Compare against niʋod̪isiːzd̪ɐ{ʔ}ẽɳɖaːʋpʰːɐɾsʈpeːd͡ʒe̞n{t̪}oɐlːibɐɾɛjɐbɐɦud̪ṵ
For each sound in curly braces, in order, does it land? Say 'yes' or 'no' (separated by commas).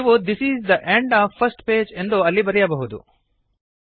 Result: yes, no